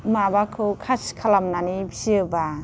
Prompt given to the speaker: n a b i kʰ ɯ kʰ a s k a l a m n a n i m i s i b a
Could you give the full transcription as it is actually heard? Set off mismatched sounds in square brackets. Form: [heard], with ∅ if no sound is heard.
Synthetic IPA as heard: [m] a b [a] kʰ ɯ kʰ a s [kʰ] a l a m n a n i [b] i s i b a